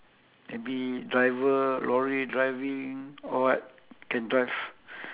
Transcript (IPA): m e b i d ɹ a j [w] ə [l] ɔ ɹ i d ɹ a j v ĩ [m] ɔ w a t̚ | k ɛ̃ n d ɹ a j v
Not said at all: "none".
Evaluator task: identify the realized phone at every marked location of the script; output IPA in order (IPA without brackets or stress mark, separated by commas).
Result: v, l, ŋ